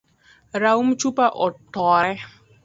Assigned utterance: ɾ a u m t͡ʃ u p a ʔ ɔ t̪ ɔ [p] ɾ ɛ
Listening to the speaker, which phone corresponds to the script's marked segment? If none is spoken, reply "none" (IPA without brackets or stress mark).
none